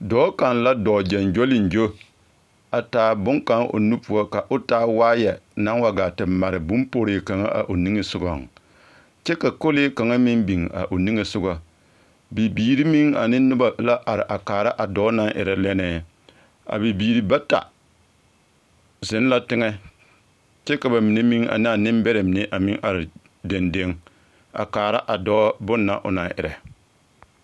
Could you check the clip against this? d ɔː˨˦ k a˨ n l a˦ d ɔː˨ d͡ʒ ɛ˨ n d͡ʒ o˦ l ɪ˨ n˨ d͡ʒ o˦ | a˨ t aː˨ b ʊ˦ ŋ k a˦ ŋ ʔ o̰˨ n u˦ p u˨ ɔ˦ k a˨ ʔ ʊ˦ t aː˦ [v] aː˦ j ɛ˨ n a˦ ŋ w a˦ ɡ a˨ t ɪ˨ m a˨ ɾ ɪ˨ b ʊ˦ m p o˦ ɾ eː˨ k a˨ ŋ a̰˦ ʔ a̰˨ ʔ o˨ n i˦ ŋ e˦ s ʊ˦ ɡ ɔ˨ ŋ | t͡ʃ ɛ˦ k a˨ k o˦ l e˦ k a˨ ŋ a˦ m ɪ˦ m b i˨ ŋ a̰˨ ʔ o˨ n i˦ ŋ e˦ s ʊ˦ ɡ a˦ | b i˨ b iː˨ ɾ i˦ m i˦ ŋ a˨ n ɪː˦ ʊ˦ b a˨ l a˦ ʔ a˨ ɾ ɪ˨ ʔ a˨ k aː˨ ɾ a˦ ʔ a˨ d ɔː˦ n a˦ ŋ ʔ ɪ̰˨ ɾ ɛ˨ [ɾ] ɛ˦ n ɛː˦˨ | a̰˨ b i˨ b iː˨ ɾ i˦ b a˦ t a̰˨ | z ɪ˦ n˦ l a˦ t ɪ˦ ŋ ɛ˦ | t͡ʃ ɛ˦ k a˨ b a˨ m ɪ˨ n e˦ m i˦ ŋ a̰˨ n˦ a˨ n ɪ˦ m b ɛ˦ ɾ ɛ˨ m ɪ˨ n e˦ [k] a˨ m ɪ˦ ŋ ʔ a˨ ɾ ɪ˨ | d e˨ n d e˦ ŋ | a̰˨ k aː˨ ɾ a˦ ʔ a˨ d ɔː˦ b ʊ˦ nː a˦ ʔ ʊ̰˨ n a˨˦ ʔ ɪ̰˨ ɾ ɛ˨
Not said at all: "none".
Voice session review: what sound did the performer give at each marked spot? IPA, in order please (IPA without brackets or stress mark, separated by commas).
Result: w, l, ʔ